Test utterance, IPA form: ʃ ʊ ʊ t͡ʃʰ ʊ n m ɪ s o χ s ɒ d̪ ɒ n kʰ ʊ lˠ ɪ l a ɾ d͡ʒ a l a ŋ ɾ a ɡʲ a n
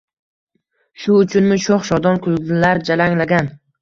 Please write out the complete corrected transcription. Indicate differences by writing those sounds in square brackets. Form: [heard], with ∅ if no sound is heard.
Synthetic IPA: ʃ ʊ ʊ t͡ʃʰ ʊ n m ɪ [ʃ] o χ [ʃ] ɒ d̪ ɒ n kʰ ʊ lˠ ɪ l a ɾ d͡ʒ a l a ŋ [l] a ɡʲ a n